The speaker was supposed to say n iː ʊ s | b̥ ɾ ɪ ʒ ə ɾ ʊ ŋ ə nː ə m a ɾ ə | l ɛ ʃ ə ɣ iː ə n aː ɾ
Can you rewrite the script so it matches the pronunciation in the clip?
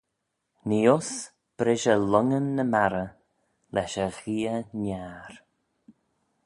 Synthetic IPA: n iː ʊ s | b̥ ɾ ɪ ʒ ə l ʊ ŋ ə nː ə m a ɾ ə | l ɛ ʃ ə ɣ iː ə n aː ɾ